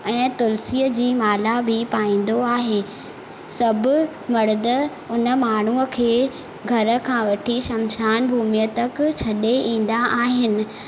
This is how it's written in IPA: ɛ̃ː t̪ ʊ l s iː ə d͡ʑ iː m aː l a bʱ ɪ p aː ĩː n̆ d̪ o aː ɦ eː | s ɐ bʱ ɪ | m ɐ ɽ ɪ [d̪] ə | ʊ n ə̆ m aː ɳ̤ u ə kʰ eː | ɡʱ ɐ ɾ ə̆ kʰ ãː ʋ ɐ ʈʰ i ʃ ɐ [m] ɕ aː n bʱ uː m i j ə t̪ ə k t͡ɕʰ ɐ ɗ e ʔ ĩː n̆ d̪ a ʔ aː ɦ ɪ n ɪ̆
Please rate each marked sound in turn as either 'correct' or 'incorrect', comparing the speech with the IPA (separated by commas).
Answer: correct, correct